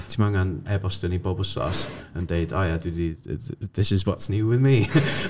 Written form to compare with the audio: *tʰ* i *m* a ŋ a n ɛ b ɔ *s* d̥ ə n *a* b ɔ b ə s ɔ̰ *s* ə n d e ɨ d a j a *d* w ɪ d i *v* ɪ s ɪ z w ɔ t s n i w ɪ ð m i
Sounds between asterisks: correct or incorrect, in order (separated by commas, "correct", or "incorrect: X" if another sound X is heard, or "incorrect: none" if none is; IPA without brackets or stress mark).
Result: correct, correct, correct, incorrect: i, correct, correct, incorrect: ð